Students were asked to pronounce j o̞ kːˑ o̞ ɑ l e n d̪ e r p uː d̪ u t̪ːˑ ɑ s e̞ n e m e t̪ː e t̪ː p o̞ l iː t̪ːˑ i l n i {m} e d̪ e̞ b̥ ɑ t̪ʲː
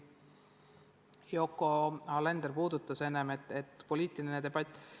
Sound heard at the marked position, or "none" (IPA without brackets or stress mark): n